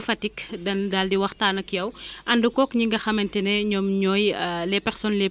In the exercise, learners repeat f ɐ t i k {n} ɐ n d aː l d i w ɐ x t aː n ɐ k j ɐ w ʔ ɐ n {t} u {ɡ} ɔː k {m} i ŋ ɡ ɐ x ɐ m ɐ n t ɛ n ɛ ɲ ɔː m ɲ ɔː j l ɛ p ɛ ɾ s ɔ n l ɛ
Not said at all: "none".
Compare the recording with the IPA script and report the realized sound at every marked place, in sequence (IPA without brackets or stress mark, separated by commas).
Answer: d, d, k, ɲ